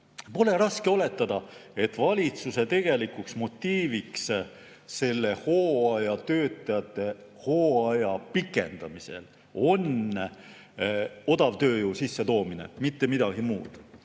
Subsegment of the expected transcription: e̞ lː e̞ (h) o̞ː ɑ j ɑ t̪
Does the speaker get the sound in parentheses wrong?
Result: no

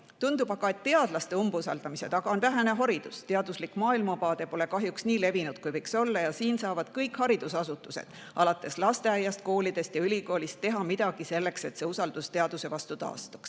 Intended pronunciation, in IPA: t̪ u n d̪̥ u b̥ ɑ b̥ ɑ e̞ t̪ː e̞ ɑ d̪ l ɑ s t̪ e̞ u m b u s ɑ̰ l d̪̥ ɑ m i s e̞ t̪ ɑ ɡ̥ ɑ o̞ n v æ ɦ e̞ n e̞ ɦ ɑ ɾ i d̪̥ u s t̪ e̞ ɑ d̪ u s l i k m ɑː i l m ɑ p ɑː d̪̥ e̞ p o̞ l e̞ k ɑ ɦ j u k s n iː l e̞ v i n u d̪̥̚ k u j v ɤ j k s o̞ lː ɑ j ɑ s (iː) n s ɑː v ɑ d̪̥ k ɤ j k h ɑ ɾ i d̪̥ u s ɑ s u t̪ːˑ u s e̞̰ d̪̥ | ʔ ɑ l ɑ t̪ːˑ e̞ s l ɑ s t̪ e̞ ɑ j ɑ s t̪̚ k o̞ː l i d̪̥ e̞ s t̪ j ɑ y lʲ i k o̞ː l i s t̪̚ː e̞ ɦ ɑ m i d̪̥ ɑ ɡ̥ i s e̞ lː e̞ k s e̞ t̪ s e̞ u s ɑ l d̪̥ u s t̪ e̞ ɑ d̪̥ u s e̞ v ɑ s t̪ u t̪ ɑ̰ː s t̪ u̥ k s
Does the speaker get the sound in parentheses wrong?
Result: no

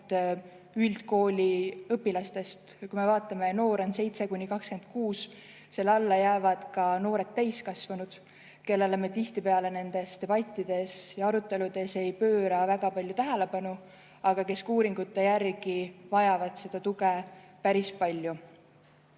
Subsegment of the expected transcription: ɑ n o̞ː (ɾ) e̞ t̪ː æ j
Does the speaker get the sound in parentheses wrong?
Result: no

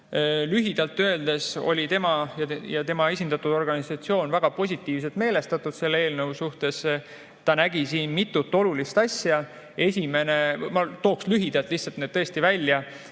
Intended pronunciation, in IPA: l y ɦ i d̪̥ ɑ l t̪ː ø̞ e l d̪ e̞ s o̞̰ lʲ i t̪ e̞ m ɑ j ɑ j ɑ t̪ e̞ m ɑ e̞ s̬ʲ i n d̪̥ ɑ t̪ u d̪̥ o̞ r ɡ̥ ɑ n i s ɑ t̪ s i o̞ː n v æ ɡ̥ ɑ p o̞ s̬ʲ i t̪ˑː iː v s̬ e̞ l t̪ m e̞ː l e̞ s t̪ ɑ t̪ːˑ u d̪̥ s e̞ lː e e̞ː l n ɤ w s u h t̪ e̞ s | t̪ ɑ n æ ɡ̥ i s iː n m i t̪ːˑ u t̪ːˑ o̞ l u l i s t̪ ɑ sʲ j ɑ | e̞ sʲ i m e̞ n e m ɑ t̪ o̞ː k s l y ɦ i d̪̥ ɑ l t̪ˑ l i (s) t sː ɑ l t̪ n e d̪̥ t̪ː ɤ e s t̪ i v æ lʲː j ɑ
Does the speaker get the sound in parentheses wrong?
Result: yes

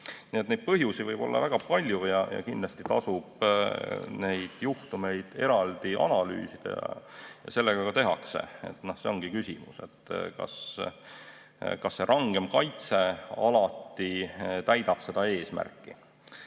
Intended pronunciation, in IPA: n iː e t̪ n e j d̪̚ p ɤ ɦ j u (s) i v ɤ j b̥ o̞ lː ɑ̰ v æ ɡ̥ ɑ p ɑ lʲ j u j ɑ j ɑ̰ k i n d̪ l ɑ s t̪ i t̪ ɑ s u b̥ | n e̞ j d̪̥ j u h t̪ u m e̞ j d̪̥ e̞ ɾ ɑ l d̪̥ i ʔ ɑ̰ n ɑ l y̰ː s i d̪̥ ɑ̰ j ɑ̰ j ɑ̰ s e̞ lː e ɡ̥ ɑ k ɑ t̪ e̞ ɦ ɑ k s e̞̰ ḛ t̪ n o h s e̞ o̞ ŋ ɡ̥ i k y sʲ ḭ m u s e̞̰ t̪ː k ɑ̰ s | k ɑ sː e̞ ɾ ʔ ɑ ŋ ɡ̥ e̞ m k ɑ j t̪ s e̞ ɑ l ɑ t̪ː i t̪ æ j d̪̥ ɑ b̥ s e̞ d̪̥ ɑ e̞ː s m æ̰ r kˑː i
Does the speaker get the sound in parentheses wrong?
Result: no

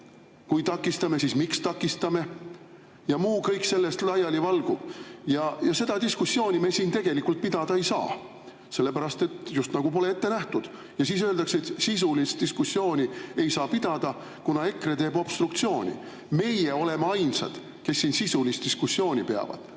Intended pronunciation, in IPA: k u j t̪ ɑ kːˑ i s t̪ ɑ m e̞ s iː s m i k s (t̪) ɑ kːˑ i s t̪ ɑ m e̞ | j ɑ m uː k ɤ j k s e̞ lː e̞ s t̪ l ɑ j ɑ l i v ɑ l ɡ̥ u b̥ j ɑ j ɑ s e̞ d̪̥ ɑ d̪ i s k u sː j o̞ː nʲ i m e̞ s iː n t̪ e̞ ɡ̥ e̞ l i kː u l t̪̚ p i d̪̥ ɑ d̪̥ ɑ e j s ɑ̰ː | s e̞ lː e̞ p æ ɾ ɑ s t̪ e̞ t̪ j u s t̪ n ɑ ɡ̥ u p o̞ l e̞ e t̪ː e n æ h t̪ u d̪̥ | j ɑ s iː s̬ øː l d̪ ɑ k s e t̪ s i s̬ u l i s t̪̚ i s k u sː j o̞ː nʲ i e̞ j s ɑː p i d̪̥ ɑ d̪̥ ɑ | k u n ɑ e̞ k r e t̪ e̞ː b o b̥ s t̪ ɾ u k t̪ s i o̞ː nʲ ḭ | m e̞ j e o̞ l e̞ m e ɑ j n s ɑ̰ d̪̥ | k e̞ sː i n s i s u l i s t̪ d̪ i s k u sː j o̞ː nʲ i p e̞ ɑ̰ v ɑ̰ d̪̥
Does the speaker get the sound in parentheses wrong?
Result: no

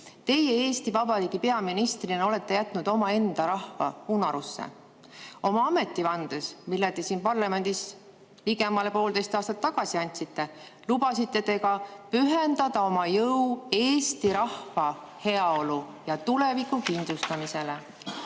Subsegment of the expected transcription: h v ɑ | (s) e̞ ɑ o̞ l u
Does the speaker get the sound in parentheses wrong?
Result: yes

